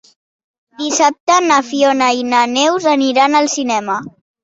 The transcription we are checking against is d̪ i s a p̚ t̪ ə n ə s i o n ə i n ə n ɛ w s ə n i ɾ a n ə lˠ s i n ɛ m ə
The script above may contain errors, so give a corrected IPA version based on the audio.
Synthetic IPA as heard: d̪ i s a p̚ t̪ ə n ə f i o n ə i n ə n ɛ w z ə n i ɾ a n ə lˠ s i n ɛ m ə